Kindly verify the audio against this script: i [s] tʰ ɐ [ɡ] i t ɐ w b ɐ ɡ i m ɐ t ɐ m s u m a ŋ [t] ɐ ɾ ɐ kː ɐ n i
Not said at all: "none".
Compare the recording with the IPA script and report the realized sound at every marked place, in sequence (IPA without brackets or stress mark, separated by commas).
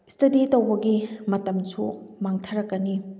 s, d, tʰ